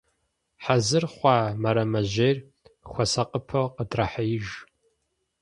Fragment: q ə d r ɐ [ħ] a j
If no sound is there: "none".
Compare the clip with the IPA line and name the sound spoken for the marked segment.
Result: ħ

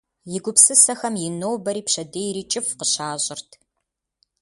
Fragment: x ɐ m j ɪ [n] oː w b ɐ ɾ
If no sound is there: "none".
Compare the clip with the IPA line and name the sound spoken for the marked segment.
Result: n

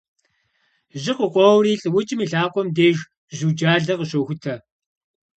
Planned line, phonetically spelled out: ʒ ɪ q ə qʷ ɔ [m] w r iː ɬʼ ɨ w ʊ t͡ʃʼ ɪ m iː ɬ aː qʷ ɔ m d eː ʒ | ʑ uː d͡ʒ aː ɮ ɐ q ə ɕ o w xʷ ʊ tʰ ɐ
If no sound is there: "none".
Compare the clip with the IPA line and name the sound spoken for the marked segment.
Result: none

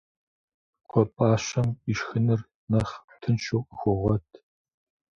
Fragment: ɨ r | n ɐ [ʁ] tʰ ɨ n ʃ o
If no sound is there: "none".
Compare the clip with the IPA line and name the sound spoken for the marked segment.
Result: χ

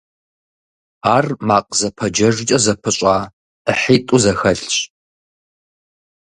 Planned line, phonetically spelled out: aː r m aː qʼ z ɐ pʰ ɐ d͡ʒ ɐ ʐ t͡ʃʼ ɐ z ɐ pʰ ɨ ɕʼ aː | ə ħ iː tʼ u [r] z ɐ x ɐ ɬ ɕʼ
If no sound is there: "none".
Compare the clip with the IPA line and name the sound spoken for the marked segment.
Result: none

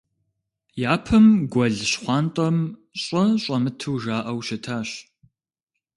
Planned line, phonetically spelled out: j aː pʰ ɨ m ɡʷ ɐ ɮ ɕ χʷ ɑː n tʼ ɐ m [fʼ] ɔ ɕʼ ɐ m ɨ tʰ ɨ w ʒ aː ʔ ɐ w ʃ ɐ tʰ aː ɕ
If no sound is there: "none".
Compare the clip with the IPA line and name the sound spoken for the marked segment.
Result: ɕʼ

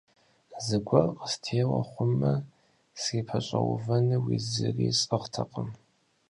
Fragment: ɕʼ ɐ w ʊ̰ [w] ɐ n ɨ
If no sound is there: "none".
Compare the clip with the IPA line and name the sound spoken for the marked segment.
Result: v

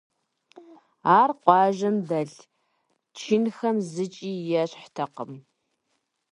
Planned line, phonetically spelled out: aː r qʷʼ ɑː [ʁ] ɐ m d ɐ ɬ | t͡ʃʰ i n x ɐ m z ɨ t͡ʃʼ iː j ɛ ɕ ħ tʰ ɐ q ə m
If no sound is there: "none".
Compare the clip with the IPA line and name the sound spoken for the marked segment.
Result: ʒ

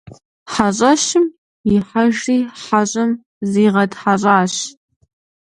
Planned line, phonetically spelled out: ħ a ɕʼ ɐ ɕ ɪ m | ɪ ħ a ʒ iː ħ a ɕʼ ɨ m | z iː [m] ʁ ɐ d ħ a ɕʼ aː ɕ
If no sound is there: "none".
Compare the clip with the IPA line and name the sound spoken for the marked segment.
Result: none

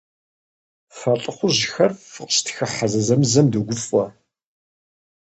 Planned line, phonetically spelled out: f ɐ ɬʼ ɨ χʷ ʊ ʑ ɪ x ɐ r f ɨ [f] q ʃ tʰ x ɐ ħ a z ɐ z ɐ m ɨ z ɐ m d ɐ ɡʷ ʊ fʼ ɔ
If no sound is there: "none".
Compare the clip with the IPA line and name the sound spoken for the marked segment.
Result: none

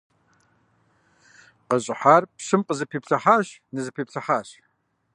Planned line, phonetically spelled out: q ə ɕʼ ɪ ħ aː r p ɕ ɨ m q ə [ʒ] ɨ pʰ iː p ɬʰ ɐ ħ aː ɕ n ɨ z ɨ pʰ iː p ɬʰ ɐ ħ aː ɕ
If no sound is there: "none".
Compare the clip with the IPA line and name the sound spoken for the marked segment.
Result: z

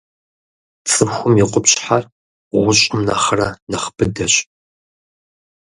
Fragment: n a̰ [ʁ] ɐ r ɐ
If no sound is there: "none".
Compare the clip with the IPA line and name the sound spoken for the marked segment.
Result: χ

